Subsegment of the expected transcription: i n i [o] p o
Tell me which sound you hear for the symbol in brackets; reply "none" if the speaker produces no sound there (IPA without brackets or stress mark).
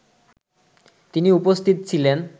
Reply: u